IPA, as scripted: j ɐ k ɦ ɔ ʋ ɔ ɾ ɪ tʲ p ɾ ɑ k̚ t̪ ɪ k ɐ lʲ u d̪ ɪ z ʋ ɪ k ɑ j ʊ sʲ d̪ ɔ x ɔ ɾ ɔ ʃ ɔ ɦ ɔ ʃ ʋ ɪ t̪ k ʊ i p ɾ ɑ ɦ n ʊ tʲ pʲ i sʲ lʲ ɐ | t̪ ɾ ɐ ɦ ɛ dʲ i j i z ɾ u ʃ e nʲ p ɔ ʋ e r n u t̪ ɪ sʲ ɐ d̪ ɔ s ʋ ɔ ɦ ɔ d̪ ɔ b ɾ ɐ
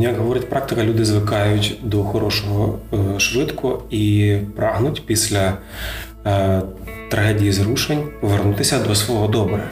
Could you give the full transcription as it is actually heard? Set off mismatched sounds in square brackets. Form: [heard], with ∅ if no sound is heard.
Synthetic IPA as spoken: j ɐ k ɦ ɔ ʋ ɔ ɾ ɪ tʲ p ɾ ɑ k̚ t̪ ɪ k ɐ lʲ u d̪ ɪ z ʋ ɪ k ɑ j ʊ [tʲ] d̪ ɔ x ɔ ɾ ɔ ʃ ɔ ɦ ɔ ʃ ʋ ɪ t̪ k ʊ i p ɾ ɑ ɦ n ʊ tʲ pʲ i sʲ lʲ ɐ | t̪ ɾ ɐ ɦ ɛ dʲ i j i z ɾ u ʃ e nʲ p ɔ ʋ e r n u t̪ ɪ sʲ ɐ d̪ ɔ s ʋ ɔ ɦ ɔ d̪ ɔ b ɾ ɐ